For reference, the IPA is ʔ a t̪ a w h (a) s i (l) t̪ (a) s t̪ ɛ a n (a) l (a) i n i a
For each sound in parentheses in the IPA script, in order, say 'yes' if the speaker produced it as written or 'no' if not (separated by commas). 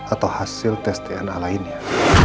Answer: yes, yes, no, yes, yes